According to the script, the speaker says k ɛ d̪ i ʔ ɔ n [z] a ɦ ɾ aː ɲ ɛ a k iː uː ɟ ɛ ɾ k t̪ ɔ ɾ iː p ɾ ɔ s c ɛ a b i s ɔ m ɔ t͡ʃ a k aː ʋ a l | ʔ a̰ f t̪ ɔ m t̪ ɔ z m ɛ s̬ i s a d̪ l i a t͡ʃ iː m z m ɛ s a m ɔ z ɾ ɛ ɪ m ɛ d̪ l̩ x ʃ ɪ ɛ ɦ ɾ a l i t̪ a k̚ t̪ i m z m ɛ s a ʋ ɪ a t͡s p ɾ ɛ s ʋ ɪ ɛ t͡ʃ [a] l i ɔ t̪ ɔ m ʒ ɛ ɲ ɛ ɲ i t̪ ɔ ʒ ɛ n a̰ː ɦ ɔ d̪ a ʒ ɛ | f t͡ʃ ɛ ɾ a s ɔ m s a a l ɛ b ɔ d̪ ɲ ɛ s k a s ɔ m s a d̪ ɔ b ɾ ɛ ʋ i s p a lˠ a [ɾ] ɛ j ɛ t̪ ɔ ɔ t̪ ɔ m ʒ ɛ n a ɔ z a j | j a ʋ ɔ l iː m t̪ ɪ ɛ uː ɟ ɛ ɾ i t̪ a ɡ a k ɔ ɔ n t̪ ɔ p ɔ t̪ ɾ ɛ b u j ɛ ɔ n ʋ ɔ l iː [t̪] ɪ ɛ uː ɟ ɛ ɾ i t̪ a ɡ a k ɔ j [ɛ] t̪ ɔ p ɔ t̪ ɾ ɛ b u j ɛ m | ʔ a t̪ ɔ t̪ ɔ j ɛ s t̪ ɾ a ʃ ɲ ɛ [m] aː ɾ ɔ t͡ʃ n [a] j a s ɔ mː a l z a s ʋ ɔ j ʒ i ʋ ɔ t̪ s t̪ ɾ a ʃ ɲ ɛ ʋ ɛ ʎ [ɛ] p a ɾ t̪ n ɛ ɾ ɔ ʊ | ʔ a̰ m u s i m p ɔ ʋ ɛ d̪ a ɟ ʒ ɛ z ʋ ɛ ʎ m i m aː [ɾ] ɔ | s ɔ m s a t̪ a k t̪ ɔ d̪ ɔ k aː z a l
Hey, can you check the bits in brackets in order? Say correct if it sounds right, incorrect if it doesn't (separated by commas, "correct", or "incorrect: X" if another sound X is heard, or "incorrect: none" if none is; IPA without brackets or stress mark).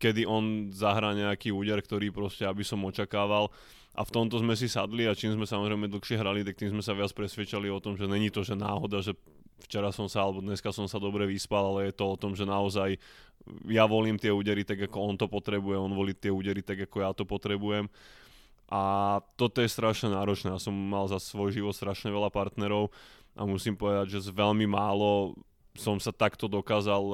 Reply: correct, correct, incorrect: l, correct, incorrect: a, incorrect: n, incorrect: ɛ, incorrect: a, incorrect: l